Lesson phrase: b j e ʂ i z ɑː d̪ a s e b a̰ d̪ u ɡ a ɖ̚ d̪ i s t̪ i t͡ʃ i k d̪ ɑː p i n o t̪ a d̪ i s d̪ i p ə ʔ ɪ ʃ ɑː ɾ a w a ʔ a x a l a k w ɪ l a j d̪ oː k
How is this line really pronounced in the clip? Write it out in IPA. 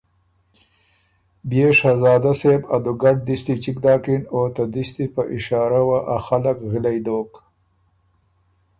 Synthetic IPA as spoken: b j e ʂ a z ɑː d̪ a s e b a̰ d̪ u ɡ a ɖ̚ d̪ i s t̪ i t͡ʃ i k d̪ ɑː k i n o t̪ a d̪ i s t̪ i p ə ʔ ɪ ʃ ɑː ɾ a w a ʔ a x a l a k ɣ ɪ l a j d̪ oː k